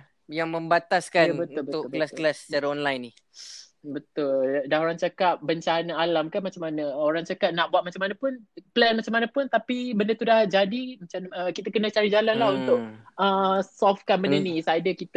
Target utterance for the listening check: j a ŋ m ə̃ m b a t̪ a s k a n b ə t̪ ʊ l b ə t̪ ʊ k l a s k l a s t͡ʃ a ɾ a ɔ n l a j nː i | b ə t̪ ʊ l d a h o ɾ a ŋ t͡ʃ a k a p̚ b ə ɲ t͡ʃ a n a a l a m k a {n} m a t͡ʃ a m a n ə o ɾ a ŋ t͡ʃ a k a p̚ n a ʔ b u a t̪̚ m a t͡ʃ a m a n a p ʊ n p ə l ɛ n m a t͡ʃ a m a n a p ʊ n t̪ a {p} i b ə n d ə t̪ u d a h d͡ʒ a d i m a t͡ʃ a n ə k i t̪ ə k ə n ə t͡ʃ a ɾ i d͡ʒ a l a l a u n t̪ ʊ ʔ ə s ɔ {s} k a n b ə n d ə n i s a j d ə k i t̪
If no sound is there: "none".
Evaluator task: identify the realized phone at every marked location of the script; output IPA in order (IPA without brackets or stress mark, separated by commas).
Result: n, p, f